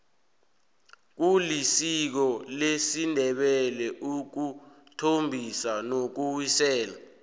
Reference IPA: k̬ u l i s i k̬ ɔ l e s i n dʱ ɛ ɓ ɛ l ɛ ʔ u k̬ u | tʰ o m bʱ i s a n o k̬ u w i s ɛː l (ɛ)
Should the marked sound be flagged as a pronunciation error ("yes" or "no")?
yes